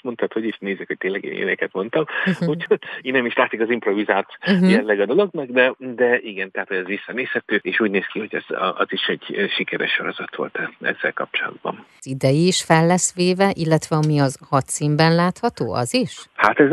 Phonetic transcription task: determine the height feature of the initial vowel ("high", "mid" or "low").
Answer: mid